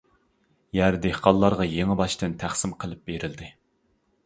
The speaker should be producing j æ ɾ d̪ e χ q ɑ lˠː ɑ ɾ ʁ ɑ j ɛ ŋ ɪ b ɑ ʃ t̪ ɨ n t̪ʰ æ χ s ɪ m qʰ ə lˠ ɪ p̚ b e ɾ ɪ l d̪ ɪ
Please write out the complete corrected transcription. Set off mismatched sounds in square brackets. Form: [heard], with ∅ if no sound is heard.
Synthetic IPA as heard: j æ ɾ d̪ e [h] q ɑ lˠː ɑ ɾ ʁ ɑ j [e] ŋ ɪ b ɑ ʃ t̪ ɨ n t̪ʰ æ χ s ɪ m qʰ ə lˠ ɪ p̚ b e ɾ ɪ l d̪ ɪ